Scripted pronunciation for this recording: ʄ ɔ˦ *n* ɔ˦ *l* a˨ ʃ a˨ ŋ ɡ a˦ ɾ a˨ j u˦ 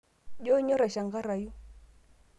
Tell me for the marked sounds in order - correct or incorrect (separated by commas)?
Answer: incorrect, incorrect